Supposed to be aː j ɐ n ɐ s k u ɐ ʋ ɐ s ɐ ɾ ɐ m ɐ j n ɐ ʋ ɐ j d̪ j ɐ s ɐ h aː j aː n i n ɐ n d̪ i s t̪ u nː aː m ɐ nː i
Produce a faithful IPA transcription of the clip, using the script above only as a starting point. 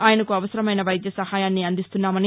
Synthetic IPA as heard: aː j ɐ n ɐ k u ɐ ʋ ɐ s ɐ ɾ ɐ m ɐ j n ɐ ʋ ɐ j d̪ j ɐ s ɐ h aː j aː nː i ɐ n d̪ i s t̪ u nː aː m ɐ n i